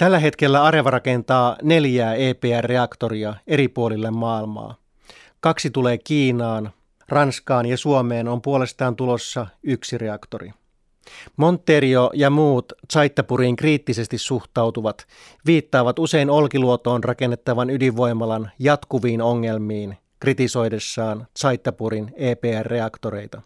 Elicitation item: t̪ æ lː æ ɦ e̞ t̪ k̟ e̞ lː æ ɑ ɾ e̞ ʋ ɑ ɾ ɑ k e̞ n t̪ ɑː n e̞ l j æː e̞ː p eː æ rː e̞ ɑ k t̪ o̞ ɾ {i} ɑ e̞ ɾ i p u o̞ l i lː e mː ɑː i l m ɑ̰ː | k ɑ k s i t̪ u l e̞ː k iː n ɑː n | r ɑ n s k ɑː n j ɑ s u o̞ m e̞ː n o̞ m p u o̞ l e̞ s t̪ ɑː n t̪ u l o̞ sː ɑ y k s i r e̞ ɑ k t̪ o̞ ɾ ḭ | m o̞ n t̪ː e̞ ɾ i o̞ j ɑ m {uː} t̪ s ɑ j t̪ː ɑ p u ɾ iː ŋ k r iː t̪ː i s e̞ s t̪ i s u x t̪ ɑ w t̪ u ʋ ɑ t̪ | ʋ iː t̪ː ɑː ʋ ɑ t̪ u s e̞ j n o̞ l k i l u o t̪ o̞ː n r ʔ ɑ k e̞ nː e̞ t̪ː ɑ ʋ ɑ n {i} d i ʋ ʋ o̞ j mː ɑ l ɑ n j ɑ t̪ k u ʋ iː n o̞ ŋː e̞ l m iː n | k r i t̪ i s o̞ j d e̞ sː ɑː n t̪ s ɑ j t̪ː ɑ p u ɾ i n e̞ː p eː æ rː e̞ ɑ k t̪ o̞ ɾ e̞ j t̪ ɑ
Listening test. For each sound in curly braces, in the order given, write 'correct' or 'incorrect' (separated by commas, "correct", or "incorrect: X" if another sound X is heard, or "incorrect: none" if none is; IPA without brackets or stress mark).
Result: correct, correct, incorrect: y